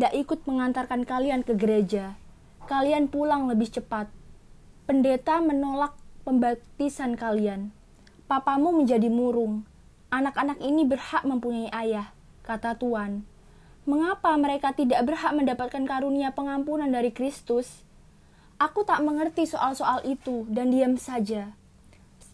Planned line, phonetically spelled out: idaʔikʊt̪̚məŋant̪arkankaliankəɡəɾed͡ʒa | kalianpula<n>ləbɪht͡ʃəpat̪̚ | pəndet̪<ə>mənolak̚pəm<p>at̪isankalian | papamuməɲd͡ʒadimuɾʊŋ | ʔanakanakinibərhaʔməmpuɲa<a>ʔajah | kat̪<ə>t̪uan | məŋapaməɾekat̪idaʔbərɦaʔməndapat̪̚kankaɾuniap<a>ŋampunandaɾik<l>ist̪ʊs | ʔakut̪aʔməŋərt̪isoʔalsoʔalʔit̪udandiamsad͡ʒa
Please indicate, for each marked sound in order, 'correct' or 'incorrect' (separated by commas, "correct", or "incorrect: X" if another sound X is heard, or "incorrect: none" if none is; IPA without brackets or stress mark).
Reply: incorrect: ŋ, incorrect: a, incorrect: b, incorrect: i, incorrect: a, incorrect: ə, incorrect: ɾ